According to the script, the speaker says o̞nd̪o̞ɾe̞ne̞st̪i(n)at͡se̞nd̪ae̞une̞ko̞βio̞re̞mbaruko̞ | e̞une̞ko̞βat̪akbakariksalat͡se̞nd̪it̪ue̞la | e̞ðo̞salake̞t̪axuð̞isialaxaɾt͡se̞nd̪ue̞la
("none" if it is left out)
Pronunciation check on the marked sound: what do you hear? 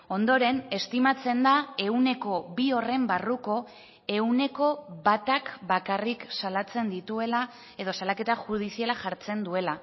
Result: m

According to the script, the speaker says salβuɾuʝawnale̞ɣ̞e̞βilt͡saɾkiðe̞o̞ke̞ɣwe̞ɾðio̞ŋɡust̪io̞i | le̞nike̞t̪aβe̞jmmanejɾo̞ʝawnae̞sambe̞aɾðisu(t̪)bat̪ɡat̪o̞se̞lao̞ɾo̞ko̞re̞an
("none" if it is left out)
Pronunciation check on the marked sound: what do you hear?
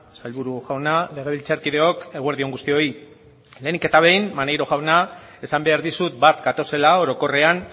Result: t̪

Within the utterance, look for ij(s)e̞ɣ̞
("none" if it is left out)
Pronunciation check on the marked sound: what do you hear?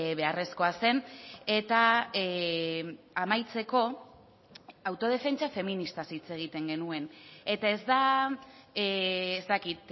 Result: t͡s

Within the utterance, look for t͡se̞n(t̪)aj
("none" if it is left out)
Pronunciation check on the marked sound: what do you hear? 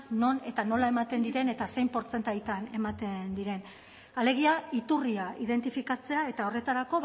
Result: t̪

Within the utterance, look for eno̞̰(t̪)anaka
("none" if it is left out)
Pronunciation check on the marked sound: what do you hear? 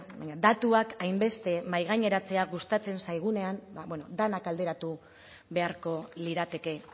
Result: d̪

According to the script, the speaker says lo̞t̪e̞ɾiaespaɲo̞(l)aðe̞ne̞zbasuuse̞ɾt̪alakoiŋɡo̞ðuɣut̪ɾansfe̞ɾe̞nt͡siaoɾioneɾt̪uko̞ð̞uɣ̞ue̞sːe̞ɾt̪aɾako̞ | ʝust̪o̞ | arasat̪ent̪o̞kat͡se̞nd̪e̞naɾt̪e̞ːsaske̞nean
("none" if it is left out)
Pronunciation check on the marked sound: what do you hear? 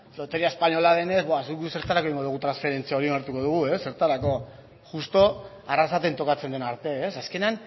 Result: l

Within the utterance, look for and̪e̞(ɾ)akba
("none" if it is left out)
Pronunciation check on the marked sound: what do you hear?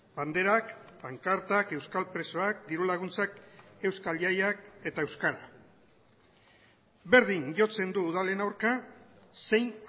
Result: ɾ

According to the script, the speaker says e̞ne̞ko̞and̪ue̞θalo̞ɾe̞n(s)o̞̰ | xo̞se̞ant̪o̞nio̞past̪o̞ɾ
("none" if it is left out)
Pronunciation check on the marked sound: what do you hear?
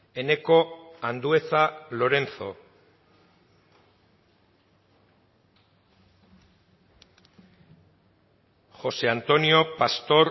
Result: θ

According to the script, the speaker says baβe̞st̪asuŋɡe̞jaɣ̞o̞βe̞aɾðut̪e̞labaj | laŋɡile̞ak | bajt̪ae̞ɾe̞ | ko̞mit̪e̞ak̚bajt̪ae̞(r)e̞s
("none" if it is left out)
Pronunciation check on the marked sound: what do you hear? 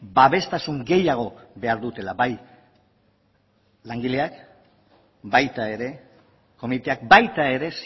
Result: ɾ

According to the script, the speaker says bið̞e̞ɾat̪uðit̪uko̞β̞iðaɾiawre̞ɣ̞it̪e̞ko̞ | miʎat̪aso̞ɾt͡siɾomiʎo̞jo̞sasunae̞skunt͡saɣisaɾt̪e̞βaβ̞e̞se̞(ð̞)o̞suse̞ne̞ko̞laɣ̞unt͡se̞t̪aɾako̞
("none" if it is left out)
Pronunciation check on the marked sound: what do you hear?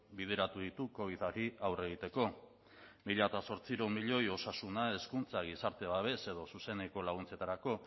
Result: ð̞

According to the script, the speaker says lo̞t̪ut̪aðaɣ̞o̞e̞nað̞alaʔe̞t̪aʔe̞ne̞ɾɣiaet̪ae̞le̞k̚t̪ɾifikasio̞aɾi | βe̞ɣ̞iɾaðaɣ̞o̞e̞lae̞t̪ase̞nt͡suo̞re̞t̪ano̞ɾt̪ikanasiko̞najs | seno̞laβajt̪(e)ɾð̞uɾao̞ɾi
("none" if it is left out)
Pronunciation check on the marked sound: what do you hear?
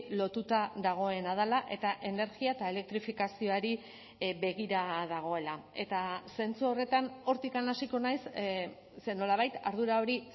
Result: a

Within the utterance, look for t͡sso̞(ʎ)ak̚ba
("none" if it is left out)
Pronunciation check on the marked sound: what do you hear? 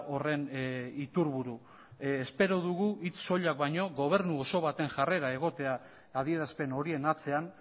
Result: ʎ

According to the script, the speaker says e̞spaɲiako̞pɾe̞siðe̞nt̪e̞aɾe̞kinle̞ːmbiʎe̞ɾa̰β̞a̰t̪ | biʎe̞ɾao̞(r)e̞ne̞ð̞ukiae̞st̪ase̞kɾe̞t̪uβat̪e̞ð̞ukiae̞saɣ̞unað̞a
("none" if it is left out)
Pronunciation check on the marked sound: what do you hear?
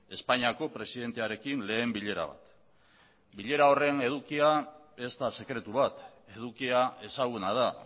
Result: r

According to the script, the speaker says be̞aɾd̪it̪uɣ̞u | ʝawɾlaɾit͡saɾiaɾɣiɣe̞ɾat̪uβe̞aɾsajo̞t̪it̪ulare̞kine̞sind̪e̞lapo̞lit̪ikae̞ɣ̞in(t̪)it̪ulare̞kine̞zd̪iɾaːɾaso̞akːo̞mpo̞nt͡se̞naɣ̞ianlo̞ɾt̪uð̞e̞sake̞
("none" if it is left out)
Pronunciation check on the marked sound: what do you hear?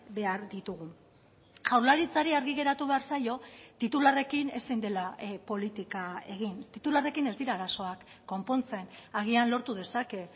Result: t̪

